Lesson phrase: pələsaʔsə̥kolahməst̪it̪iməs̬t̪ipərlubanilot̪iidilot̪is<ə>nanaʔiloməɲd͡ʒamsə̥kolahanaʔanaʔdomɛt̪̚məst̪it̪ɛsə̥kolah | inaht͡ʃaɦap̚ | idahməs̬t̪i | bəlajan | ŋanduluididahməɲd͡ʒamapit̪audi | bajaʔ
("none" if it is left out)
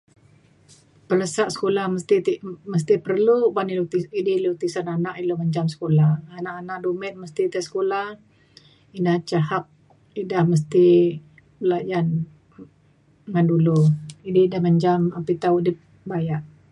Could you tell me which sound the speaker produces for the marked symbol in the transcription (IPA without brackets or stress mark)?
a